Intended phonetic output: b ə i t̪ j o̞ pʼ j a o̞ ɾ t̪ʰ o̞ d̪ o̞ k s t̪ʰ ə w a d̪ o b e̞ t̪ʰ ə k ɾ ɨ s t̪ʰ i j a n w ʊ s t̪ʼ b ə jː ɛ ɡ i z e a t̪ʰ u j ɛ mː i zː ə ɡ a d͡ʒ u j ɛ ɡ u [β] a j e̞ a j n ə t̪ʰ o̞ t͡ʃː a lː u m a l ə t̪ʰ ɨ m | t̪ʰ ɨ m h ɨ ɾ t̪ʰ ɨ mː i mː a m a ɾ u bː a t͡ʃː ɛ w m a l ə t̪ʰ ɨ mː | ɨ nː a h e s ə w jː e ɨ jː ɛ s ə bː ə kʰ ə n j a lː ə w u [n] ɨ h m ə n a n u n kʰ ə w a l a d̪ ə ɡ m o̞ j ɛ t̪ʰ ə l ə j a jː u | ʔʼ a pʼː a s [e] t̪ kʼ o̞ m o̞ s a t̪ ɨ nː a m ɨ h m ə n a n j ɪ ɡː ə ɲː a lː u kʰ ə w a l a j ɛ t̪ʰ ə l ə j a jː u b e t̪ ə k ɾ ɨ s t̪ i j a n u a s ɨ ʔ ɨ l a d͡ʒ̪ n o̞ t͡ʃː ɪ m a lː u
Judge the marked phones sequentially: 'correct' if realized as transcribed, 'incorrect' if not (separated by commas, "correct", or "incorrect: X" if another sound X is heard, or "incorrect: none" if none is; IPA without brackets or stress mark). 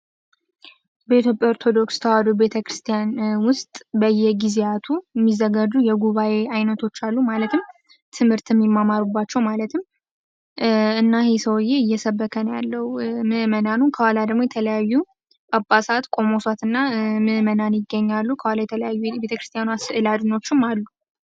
correct, incorrect: m, incorrect: a